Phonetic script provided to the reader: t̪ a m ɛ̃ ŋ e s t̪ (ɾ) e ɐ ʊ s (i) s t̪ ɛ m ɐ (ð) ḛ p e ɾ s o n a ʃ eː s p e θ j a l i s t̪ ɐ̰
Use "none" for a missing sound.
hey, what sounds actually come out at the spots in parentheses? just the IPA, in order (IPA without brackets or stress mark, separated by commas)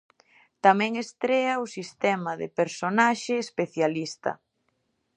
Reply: ɾ, i, ð